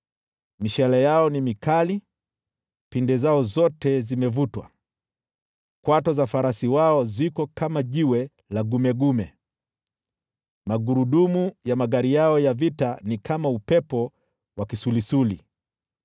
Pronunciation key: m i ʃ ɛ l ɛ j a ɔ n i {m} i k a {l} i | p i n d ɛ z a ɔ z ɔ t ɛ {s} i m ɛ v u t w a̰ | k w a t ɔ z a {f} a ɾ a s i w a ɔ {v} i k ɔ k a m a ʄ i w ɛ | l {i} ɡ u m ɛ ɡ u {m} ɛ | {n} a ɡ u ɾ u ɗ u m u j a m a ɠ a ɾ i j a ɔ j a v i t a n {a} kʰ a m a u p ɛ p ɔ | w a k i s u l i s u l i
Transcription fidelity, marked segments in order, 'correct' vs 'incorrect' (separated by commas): correct, correct, incorrect, correct, incorrect, incorrect, correct, incorrect, incorrect